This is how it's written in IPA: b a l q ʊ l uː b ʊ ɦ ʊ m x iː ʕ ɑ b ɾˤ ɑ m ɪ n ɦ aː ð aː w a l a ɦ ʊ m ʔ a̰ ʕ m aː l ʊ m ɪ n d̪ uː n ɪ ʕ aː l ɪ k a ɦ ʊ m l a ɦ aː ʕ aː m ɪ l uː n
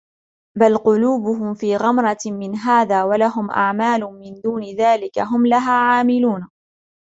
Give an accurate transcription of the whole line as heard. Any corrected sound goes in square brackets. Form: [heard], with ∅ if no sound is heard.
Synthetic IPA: b a l q ʊ l uː b ʊ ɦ ʊ m [f] iː [ɣ] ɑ [m] ɾˤ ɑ m ɪ n ɦ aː ð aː w a l a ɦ ʊ m ʔ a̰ ʕ m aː l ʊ m ɪ n d̪ uː n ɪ [ð] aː l ɪ k a ɦ ʊ m l a ɦ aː ʕ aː m ɪ l uː n